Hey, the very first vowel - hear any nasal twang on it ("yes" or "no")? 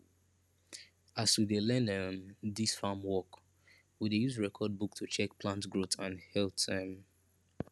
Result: no